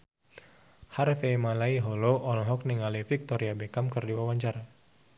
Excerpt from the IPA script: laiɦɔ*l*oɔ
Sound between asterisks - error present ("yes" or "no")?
no